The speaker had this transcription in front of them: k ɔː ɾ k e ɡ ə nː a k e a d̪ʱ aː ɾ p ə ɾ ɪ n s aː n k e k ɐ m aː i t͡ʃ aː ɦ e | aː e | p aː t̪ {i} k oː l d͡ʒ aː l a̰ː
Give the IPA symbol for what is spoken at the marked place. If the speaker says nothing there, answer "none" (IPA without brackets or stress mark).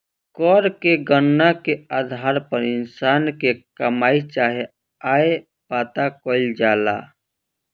a